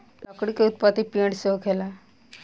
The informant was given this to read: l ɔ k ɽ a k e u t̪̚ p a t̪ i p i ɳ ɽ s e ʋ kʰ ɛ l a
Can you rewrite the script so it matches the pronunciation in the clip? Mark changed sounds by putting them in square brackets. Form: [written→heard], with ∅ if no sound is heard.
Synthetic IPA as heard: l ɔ k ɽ [a→i] k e u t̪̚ p a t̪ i p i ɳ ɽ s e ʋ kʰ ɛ l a

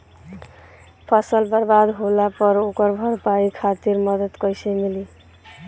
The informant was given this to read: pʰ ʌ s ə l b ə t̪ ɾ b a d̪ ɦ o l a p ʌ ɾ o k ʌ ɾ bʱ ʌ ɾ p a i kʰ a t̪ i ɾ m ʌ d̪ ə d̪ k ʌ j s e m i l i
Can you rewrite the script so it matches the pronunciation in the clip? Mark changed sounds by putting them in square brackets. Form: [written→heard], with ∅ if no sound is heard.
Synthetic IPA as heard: pʰ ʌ s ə l b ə [t̪→∅] ɾ b a d̪ ɦ o l a p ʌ ɾ o k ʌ ɾ bʱ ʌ ɾ p a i kʰ a t̪ i ɾ m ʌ d̪ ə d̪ k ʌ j s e m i l i

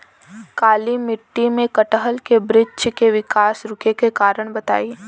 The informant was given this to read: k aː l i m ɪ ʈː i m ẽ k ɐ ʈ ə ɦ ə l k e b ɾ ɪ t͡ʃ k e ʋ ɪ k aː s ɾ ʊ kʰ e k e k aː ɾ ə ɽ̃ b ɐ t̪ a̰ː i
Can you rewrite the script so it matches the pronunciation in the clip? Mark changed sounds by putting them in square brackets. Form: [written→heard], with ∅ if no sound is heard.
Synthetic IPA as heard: k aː l i m ɪ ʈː i m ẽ k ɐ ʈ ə ɦ ə l k e b ɾ ɪ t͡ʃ k e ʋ ɪ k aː s ɾ ʊ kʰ e k e k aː ɾ ə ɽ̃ b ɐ t̪ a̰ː i

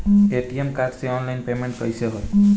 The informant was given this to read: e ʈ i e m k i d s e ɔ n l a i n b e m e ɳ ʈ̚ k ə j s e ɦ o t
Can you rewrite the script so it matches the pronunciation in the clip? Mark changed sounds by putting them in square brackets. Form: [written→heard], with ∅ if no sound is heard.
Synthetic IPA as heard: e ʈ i e m k [i→a] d s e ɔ n l a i n [b→p] e m e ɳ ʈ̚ k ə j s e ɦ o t

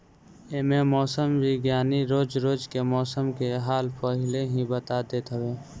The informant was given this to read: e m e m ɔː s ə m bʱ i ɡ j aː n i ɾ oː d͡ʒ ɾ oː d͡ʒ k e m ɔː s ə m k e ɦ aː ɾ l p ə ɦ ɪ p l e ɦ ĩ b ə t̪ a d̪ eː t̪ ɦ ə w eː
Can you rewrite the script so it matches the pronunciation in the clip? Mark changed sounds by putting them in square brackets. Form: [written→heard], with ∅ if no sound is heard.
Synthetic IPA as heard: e m e m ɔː s ə m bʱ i ɡ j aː n i ɾ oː d͡ʒ ɾ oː d͡ʒ k e m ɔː s ə m k e ɦ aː [ɾ→∅] l p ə ɦ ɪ [p→∅] l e ɦ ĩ b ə t̪ a d̪ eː t̪ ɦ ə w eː

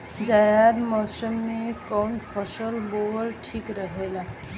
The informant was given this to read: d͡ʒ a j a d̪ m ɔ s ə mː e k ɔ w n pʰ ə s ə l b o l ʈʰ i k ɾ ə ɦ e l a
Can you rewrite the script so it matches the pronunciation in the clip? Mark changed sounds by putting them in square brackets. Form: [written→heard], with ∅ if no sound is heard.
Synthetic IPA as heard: d͡ʒ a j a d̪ m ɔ s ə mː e k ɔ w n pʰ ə s ə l b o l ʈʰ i k ɾ ə ɦ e l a

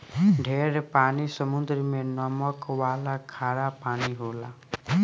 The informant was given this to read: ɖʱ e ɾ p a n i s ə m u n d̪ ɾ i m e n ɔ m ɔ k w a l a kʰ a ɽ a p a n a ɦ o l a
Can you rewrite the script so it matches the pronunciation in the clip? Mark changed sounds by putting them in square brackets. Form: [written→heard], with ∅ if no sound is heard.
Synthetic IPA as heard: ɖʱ e ɾ p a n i s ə m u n d̪ ɾ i m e n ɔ m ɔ k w a l a kʰ a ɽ a p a n [a→i] ɦ o l a

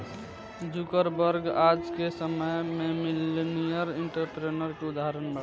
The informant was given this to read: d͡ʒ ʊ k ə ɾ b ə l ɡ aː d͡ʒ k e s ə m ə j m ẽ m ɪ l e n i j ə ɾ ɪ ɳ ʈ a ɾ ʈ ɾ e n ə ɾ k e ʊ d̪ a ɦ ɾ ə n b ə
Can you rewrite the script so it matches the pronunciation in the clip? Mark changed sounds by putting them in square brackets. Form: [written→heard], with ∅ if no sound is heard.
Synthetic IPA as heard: d͡ʒ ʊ k ə ɾ b ə [l→ɾ] ɡ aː d͡ʒ k e s ə m ə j m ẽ m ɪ l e n i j ə ɾ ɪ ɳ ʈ [a→ə] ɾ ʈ ɾ e n ə ɾ k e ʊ d̪ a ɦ ɾ ə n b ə

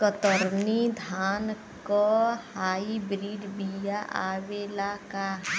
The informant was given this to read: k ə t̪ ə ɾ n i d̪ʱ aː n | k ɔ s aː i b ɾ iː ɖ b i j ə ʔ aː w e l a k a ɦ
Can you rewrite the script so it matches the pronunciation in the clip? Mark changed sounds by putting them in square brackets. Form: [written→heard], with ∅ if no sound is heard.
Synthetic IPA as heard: k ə t̪ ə ɾ n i d̪ʱ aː n | k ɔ [s→h] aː i b ɾ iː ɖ b i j [ə→a] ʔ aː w e l a k a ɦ

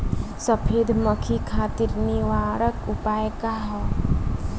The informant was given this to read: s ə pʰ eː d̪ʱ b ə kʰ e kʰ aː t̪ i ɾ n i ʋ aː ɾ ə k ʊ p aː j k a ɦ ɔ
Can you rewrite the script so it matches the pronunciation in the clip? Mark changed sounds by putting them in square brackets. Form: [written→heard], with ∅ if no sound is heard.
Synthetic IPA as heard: s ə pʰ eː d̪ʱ [b→m] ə kʰ [e→i] kʰ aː t̪ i ɾ n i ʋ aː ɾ ə k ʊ p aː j k a ɦ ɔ

